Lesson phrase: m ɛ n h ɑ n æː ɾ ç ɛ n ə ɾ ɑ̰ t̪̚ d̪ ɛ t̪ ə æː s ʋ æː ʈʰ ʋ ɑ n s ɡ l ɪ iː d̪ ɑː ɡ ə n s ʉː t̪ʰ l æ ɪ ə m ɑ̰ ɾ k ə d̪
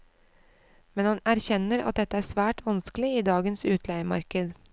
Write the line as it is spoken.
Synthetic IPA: m ɛ n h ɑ n æ ɾ ç ɛ n ə ɾ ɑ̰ t̪̚ d̪ ɛ t̪ ə æː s ʋ æː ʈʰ ʋ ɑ n s k l ɪ iː d̪ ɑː ɡ ə n s ʉː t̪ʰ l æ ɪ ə m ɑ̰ ɾ k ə d̪